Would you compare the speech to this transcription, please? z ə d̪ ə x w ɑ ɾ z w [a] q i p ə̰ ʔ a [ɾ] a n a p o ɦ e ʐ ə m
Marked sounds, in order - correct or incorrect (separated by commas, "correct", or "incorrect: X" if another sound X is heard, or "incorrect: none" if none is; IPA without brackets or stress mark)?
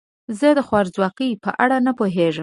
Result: incorrect: ɑ, incorrect: ɽ